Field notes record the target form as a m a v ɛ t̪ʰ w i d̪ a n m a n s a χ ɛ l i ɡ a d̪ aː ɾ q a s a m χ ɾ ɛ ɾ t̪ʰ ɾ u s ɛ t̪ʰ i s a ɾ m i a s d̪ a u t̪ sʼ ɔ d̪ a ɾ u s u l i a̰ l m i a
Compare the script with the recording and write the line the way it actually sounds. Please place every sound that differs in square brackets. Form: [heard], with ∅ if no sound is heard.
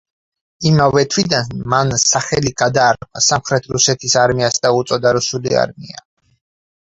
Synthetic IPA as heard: [i] m a v ɛ t̪ʰ w i d̪ a n m a n s a χ ɛ l i ɡ a d̪ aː ɾ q a s a m χ ɾ ɛ [∅] t̪ʰ ɾ u s ɛ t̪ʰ i s a ɾ m i a s d̪ a u t̪ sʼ ɔ d̪ a ɾ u s u l i a̰ [ɾ] m i a